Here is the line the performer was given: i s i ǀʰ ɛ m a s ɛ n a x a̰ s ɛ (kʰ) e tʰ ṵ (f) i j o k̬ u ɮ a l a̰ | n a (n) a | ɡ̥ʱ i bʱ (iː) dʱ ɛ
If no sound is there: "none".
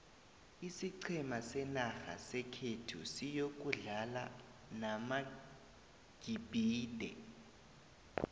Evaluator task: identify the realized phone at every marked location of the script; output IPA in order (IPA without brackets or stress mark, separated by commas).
kʰ, s, m, iː